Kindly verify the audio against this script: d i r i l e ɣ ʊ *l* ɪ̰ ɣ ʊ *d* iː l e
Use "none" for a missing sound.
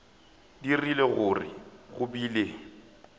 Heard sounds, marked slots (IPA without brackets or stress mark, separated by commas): r, b